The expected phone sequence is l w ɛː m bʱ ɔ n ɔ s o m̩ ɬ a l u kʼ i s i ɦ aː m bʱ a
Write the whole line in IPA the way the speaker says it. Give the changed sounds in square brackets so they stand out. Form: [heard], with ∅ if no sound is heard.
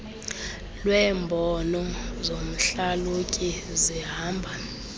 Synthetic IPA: l w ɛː m bʱ ɔ n ɔ [z] o m̩ ɬ a l u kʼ i [z] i ɦ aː m bʱ a